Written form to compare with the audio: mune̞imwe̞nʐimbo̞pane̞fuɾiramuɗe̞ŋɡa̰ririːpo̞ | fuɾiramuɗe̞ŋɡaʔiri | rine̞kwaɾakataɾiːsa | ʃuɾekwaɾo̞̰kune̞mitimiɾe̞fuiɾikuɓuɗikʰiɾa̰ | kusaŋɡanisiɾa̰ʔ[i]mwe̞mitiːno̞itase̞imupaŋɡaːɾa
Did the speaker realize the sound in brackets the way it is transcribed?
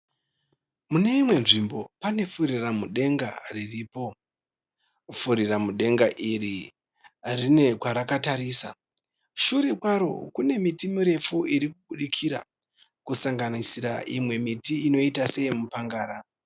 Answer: yes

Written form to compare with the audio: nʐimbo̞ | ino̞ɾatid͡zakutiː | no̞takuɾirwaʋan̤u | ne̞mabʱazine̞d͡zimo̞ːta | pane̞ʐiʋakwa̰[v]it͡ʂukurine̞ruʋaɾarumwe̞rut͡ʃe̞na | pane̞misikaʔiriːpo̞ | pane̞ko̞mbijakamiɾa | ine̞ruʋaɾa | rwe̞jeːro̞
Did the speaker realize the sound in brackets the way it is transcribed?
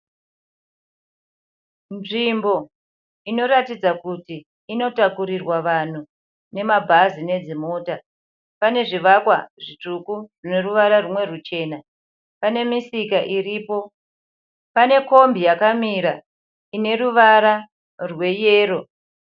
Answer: no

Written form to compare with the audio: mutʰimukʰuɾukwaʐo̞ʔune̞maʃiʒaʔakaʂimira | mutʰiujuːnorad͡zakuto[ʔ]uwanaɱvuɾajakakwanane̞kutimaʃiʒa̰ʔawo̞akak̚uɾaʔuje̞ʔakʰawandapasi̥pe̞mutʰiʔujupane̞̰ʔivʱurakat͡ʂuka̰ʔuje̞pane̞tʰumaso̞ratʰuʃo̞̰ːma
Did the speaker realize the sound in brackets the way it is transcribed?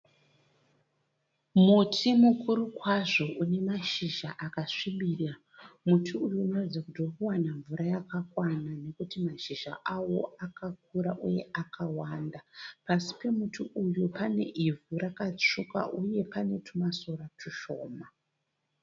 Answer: no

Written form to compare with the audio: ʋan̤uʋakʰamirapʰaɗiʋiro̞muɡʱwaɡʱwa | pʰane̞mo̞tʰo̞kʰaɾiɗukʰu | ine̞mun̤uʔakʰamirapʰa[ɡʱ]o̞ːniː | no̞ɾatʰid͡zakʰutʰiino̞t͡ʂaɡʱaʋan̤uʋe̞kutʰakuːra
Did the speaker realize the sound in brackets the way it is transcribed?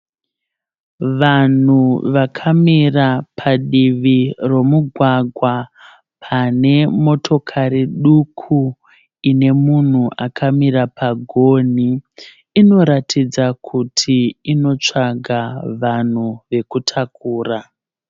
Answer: yes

